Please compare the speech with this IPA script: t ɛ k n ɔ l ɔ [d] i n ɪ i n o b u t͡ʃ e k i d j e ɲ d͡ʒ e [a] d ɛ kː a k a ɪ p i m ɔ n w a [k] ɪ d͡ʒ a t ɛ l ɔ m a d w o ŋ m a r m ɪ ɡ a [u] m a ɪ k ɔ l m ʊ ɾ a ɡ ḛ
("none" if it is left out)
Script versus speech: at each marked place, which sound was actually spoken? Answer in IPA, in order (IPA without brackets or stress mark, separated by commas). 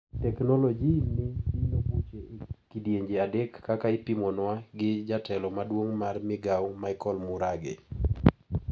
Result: d͡ʒ, a, ɡ, w